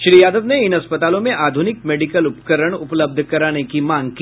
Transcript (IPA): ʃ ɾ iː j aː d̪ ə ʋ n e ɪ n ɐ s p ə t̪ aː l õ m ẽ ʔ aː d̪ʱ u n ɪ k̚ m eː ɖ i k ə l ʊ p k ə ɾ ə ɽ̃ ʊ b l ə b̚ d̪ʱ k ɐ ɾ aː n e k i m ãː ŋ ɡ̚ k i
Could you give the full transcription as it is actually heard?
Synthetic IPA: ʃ ɾ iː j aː d̪ ə ʋ n e ɪ n ɐ s p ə t̪ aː l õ m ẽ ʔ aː d̪ʱ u n ɪ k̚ m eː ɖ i k ə l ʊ p k ə ɾ ə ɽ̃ ʊ p l ə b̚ d̪ʱ k ɐ ɾ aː n e k i m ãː ŋ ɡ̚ k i